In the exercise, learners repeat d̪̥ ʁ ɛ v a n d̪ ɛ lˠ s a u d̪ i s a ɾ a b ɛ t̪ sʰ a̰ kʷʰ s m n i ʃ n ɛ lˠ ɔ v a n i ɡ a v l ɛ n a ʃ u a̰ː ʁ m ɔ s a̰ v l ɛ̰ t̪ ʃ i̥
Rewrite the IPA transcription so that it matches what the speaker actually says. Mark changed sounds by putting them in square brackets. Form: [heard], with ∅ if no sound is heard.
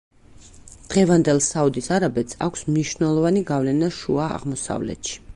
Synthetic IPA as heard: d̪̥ ʁ ɛ v a n d̪ ɛ lˠ s a u d̪ i s a ɾ a b ɛ t̪ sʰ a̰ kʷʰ s m n i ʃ n ɛ lˠ ɔ v a n i ɡ a v l ɛ n a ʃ u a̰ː ʁ m ɔ s a̰ v l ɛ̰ t̪ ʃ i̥